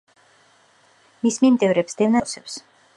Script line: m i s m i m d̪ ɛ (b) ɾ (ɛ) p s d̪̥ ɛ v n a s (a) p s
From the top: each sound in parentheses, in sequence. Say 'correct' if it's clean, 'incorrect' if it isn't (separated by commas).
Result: incorrect, correct, incorrect